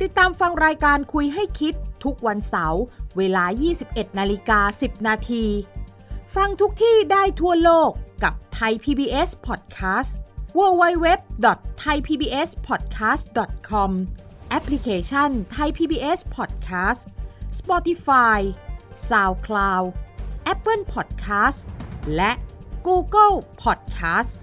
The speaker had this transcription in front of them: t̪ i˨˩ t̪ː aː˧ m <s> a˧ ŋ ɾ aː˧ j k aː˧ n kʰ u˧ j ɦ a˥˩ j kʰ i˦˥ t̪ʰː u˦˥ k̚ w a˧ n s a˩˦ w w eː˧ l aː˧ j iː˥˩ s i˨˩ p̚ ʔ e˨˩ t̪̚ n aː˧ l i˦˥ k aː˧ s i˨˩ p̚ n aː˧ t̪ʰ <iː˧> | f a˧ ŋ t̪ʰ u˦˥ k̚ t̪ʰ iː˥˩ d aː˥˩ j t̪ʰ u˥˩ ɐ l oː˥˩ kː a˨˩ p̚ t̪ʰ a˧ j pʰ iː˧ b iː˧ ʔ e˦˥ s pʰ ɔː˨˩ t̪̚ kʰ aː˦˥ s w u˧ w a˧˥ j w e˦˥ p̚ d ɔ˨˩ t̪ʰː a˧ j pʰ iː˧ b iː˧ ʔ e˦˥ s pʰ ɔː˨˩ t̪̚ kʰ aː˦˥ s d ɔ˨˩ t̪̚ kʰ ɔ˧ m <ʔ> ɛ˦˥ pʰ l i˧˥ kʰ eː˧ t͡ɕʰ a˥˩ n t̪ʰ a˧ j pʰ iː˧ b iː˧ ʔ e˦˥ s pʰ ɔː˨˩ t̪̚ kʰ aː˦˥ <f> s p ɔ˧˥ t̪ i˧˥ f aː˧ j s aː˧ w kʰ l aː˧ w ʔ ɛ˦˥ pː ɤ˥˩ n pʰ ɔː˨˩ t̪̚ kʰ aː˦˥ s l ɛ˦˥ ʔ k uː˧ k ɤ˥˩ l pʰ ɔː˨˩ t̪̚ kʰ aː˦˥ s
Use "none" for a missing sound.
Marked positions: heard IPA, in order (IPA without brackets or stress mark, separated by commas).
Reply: f, iː˧, ʔ, s